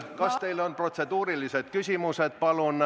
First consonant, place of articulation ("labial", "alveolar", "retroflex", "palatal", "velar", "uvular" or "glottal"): velar